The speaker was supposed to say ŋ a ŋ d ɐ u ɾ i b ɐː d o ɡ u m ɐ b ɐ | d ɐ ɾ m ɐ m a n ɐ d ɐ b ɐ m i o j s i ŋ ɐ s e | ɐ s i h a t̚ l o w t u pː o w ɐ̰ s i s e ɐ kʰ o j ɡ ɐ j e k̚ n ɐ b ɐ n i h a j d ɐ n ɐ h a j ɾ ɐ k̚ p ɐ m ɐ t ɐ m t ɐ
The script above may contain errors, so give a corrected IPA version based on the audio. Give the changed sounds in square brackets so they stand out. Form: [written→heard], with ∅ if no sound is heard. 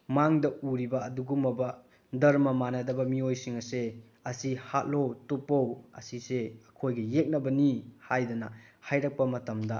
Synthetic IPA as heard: [ŋ→m] a ŋ d ɐ u ɾ i b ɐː d [o→u] ɡ u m ɐ b ɐ | d ɐ ɾ m ɐ m a n ɐ d ɐ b ɐ m i o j s i ŋ ɐ s e | ɐ s i h a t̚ l o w t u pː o w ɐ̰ s i s e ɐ kʰ o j ɡ ɐ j e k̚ n ɐ b ɐ n i h a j d ɐ n ɐ h a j ɾ ɐ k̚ p ɐ m ɐ t ɐ m [t→d] ɐ